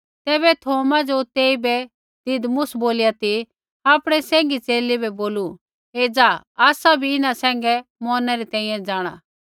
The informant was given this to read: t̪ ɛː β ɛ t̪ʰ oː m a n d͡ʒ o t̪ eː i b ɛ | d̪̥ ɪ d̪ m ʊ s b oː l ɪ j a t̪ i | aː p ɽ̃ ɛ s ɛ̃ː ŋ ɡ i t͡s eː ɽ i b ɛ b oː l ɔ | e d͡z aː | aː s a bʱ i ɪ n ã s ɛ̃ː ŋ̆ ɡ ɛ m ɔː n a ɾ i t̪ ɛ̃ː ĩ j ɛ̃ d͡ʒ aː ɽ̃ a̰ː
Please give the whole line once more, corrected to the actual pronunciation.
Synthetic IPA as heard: t̪ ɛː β ɛ t̪ʰ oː m a d͡ʒ o t̪ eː i b ɛ | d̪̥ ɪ d̪ m ʊ s b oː l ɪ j a t̪ i | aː p ɽ̃ ɛ s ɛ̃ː ŋ ɡ i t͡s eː l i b ɛ b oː l u | e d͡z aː | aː s a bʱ i ɪ n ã s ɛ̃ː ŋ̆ ɡ ɛ m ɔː n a ɾ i t̪ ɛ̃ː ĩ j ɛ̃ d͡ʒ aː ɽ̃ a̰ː